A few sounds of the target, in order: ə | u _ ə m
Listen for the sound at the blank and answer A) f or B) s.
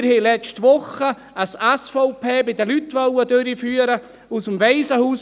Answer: B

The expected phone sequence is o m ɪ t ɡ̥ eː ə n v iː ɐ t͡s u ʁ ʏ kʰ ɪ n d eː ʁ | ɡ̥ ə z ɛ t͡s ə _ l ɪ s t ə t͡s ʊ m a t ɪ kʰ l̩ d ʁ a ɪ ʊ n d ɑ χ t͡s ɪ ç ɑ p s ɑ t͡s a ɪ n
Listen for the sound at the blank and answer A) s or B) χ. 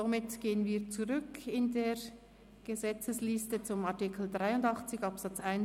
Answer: A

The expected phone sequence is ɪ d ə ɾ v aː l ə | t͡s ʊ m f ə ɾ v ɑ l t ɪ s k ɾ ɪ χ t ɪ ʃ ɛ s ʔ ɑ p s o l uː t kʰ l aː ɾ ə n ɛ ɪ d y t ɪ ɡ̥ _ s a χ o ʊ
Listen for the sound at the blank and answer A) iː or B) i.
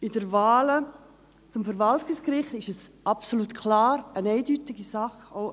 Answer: B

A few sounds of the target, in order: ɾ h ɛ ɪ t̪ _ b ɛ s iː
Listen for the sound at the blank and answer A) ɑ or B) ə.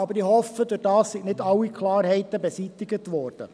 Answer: B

